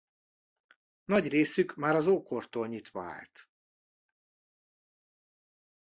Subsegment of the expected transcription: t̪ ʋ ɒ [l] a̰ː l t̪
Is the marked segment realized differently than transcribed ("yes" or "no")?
yes